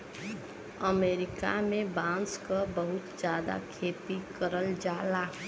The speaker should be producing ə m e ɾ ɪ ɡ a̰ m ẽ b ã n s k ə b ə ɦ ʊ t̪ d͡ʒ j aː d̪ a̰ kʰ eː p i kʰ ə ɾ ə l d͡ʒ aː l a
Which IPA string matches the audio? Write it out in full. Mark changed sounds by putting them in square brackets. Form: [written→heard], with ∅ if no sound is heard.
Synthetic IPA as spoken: ə m e ɾ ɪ [ɡ→k] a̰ m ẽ b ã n s k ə b ə ɦ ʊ t̪ d͡ʒ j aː d̪ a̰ kʰ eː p i [kʰ→k] ə ɾ ə l d͡ʒ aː l a